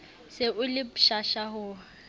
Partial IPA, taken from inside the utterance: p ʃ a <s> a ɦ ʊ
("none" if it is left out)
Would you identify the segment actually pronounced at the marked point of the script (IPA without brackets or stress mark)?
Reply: ʃ